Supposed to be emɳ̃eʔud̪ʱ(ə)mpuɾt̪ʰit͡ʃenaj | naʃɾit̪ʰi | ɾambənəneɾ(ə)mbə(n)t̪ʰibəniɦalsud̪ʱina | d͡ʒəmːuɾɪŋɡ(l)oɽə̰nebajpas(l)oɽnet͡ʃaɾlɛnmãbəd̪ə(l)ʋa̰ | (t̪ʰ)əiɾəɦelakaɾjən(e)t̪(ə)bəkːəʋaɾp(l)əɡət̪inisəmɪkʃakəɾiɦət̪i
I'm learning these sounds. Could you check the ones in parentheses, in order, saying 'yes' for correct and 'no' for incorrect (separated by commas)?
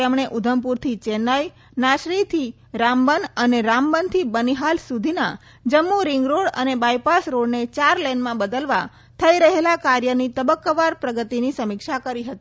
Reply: yes, no, yes, no, no, yes, yes, no, yes, no